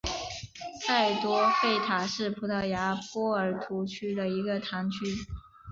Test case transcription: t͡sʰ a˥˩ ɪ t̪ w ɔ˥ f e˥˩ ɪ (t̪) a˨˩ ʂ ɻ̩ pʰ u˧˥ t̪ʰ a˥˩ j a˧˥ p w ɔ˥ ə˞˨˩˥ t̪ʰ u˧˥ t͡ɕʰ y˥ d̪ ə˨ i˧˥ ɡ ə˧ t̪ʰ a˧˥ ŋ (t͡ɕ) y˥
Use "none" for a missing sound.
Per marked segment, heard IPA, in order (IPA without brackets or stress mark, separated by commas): t̪ʰ, t͡ɕʰ